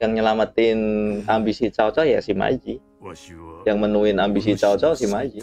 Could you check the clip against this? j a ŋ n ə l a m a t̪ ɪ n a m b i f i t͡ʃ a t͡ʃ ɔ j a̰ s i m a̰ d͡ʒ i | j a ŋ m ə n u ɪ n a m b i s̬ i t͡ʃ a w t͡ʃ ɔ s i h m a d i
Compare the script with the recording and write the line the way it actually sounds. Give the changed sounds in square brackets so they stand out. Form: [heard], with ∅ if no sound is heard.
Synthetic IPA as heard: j a ŋ [ɲ] ə l a m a t̪ ɪ n a m b i [s] i t͡ʃ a t͡ʃ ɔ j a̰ s i m a̰ d͡ʒ i | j a ŋ m ə n u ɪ n a m b i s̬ i t͡ʃ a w t͡ʃ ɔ s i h m a [d͡ʒ] i